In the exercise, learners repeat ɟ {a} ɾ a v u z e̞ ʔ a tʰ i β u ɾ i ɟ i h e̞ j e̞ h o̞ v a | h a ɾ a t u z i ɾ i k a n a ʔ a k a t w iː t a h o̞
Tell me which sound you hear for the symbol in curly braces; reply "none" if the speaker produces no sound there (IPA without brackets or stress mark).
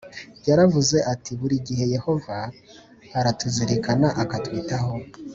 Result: a